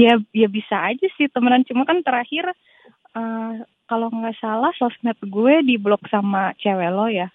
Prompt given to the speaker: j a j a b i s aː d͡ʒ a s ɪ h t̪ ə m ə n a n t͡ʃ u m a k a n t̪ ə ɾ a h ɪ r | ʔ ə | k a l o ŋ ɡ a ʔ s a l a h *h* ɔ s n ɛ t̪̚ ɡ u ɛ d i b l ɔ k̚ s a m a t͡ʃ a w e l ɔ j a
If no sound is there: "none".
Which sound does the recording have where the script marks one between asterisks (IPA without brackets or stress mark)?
s